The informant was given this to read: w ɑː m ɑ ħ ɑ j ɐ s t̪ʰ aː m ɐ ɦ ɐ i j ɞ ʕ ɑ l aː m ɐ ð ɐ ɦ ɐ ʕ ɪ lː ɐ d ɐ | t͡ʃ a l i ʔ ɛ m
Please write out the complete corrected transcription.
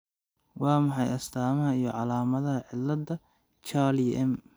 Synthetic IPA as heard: w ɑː m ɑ ħ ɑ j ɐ s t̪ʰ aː m ɐ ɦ ɐ i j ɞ ʕ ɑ l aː m ɐ ð ɐ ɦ ɐ ʕ ɪ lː ɐ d ɐ | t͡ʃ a l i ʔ ɛ m